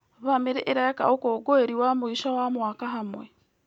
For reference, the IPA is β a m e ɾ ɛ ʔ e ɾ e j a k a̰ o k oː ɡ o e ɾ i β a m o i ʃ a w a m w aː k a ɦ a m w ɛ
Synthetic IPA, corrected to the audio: β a m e ɾ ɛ ʔ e ɾ a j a k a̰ o k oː ɡ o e ɾ i w a m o i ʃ a w a m w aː k a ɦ a m w ɛ